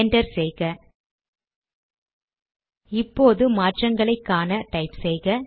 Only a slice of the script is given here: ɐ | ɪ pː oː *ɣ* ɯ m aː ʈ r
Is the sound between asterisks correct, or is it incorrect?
incorrect